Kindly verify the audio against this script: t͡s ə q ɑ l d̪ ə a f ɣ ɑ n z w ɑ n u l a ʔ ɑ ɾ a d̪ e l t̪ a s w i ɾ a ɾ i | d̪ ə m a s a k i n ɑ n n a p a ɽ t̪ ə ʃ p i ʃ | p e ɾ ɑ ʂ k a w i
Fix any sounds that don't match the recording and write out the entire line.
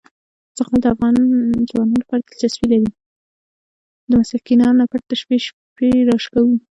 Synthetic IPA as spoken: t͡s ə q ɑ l d̪ ə a f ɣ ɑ n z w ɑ n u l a p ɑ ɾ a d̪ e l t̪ a s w i l a ɾ i | d̪ ə m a s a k i n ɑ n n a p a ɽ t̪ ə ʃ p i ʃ | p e ɾ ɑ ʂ k a w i